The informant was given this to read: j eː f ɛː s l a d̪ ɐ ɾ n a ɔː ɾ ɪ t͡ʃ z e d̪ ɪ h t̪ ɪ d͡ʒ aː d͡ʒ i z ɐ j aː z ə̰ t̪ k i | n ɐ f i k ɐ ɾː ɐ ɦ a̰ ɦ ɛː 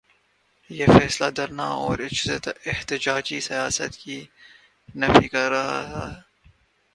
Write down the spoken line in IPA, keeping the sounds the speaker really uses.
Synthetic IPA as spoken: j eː f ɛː s l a d̪ ɐ ɾ n a ɔː ɾ ɪ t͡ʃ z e t̪ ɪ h t̪ ɪ d͡ʒ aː d͡ʒ i s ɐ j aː s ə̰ t̪ k i | n ɐ f i k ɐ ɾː ɐ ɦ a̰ ɦ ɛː

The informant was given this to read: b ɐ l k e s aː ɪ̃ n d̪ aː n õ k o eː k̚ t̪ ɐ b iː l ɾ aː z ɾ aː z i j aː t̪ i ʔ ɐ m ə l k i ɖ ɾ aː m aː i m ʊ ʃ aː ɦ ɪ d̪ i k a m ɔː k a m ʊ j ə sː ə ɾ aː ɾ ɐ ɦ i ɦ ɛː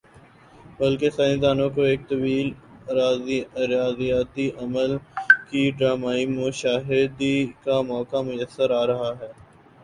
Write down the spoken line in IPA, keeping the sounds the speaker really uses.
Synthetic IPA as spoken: b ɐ l k e s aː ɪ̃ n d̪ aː n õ k o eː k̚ t̪ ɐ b iː l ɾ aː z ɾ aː z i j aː t̪ i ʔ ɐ m ə l k i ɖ ɾ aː m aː i m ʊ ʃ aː ɦ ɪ d̪ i k a m ɔː k a m ʊ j ə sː ə ɾ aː ɾ ɐ ɦ a ɦ ɛː

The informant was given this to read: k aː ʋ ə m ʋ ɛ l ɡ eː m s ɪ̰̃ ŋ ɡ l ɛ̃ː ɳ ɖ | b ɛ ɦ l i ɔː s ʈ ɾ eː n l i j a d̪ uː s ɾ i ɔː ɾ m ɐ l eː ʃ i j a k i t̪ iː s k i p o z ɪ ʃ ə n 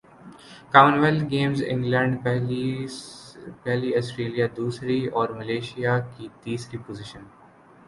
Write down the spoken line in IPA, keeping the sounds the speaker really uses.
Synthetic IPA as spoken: k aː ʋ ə n ʋ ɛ l ɡ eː m z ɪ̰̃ ŋ ɡ l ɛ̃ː ɳ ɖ | p ɛ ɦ l i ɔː s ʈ ɾ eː l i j a d̪ uː s ɾ i ɔː ɾ m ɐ l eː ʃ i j a k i t̪ iː s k i p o z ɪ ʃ ə n

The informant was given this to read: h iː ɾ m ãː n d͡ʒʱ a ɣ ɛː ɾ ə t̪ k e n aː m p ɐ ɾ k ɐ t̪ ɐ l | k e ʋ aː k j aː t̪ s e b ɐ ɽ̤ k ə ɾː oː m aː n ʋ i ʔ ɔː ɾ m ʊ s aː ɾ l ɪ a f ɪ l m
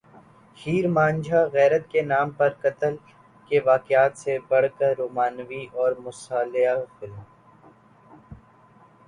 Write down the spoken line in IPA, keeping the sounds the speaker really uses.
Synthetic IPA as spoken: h iː ɾ m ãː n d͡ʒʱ a ɣ ɛː ɾ ə t̪ k e n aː m p ɐ ɾ k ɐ t̪ ə l | k e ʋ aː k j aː t̪ s e b ɐ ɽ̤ k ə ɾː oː m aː n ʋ i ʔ ɔː ɾ m ʊ s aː l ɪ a f ɪ l m

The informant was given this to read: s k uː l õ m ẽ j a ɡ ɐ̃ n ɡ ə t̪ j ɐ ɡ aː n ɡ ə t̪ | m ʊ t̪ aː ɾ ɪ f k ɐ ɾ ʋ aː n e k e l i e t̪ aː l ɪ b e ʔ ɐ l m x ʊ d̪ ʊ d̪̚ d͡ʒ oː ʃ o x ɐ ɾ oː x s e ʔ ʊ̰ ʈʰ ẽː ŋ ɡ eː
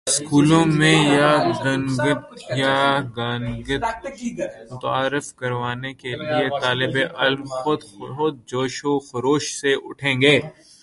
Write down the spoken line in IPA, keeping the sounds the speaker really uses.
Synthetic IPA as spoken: s k uː l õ m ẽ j a ɡ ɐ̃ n ɡ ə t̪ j a ɡ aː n ɡ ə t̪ | m ʊ t̪ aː ɾ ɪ f k ɐ ɾ ʋ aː n e k e l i e t̪ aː l ɪ b e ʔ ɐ l m x ʊ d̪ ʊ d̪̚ d͡ʒ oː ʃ o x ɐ ɾ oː ʃ s e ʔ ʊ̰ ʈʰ ẽː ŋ ɡ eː

